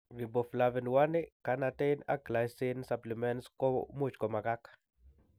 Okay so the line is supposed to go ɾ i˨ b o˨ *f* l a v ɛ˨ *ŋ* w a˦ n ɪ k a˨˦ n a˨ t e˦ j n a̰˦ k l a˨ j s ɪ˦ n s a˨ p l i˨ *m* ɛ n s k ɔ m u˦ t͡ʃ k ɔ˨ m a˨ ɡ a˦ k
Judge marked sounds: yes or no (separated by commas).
yes, no, yes